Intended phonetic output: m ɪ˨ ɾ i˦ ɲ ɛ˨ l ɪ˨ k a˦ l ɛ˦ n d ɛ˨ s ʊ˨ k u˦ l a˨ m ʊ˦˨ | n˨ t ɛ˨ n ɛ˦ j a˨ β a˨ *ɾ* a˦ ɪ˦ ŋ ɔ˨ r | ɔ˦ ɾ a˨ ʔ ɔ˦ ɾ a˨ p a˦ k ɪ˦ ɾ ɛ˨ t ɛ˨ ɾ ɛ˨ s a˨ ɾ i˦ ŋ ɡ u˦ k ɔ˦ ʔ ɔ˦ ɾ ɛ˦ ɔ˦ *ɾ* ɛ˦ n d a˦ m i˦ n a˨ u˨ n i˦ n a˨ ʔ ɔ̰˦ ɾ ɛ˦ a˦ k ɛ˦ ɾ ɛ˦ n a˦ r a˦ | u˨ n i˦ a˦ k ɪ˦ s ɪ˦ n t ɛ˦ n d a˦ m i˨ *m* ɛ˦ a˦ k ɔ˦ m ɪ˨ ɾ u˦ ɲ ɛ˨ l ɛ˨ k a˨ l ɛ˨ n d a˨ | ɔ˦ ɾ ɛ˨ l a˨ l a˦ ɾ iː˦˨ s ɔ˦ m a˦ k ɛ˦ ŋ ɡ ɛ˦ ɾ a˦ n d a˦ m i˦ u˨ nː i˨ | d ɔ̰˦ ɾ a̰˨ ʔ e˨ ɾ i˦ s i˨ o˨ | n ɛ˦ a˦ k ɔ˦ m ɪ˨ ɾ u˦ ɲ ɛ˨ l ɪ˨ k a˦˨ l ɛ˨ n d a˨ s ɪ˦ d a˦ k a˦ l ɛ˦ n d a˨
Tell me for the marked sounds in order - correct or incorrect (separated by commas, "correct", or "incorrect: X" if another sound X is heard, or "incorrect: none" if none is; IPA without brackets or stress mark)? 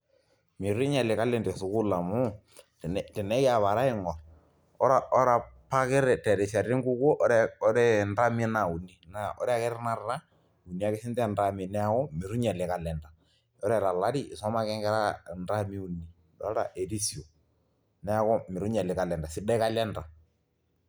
correct, correct, incorrect: n